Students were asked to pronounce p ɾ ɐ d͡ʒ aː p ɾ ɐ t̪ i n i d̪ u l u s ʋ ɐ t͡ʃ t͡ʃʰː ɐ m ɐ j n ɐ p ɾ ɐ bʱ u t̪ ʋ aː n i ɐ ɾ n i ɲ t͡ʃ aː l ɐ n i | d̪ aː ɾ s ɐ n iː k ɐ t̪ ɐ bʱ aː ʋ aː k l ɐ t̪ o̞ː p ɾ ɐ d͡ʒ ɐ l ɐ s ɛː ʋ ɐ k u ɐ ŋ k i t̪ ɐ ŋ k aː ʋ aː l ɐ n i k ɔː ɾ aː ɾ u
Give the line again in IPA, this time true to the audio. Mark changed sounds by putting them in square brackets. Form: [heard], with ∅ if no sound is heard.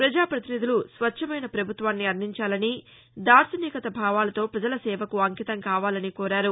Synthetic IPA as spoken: p ɾ ɐ d͡ʒ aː p ɾ ɐ t̪ i n i d̪ u l u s ʋ ɐ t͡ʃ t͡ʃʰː ɐ m ɐ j n ɐ p ɾ ɐ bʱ u t̪ ʋ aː [nː] i ɐ ɾ n i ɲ t͡ʃ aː l ɐ n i | d̪ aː ɾ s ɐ n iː k ɐ t̪ ɐ bʱ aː ʋ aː [∅] l ɐ t̪ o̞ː p ɾ ɐ d͡ʒ ɐ l ɐ s ɛː ʋ ɐ k u ɐ ŋ k i t̪ ɐ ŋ k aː ʋ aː l ɐ n i k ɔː ɾ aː ɾ u

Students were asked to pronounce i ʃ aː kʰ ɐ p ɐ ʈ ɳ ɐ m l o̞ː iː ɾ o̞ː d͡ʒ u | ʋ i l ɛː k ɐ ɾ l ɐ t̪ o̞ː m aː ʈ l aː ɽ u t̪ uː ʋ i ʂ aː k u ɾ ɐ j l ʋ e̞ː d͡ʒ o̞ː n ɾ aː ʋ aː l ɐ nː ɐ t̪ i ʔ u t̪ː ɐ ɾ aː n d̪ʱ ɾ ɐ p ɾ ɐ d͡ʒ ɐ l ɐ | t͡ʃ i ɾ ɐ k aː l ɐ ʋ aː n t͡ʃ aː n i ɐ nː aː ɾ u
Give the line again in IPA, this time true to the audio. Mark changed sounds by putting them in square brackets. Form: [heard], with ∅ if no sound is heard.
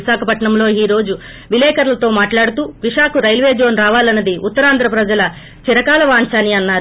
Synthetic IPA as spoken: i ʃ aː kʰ ɐ p ɐ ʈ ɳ ɐ m l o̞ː iː ɾ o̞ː d͡ʒ u | ʋ i l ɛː k ɐ ɾ l ɐ t̪ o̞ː m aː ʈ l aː ɽ u t̪ uː ʋ i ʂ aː k u ɾ ɐ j l ʋ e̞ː d͡ʒ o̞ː n ɾ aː ʋ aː l ɐ nː ɐ [d̪] i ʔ u t̪ː ɐ ɾ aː n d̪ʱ ɾ ɐ p ɾ ɐ d͡ʒ ɐ l ɐ | t͡ʃ i ɾ ɐ k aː l ɐ ʋ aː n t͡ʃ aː n i ɐ nː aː ɾ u

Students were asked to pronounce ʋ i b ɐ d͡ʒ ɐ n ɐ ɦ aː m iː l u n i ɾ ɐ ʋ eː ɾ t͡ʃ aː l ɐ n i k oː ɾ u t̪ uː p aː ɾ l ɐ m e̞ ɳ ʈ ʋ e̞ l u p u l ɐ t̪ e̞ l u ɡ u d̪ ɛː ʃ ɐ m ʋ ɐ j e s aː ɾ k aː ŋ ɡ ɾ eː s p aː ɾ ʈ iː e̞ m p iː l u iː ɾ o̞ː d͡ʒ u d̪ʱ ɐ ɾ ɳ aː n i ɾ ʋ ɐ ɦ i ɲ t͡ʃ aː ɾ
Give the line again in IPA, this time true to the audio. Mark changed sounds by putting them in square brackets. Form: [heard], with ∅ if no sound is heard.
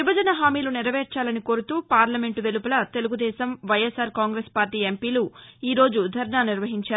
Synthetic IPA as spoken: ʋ i b ɐ d͡ʒ ɐ n ɐ ɦ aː m iː l u n i ɾ ɐ ʋ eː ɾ t͡ʃ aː l ɐ n i k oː ɾ u t̪ uː p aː ɾ l ɐ m e̞ ɳ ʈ ʋ e̞ l u p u l ɐ t̪ e̞ l u ɡ u d̪ ɛː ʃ ɐ m ʋ ɐ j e s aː ɾ k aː ŋ ɡ ɾ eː s p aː ɾ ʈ iː e̞ m p iː l u iː ɾ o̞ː d͡ʒ u d̪ʱ ɐ ɾ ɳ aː n i ɾ ʋ ɐ ɦ i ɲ t͡ʃ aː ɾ

